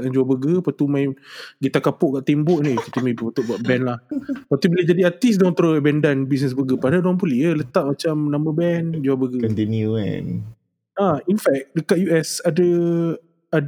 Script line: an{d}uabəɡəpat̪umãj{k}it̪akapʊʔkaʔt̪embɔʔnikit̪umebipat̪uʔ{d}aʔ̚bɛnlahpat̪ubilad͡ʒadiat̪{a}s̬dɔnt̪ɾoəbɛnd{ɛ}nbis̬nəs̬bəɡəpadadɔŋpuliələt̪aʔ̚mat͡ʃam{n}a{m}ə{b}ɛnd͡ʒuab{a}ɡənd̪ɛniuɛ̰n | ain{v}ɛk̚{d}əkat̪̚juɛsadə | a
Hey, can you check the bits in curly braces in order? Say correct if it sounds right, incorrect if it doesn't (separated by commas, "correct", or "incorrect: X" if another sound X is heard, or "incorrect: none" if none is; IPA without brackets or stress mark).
incorrect: d͡ʒ, incorrect: ɡ, incorrect: b, incorrect: i, incorrect: a, correct, correct, correct, incorrect: ə, incorrect: f, correct